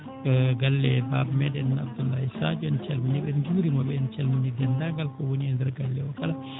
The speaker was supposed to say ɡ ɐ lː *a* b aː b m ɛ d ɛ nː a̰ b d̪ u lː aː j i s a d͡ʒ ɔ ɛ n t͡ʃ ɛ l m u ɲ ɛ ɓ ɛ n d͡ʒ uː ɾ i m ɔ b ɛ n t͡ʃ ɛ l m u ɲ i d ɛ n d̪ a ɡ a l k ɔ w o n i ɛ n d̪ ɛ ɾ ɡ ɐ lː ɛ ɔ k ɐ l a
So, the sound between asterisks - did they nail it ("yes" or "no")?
no